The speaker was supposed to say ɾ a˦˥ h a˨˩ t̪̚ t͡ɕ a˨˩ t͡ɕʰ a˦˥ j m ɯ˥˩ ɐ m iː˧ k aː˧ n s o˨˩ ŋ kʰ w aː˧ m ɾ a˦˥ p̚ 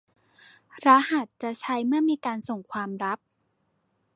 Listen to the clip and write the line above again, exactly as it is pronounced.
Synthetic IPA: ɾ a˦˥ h a˨˩ t̪̚ t͡ɕ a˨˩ t͡ɕʰ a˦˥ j m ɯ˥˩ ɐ m iː˧ k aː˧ n s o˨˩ ŋ kʰ w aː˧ m ɾ a˦˥ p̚